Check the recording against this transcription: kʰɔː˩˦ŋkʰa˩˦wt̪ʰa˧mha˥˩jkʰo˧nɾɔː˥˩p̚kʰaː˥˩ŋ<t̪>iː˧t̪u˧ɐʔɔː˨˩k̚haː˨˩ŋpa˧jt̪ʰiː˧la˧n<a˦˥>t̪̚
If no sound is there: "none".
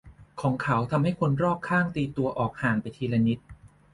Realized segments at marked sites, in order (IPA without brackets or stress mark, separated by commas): t̪, i˦˥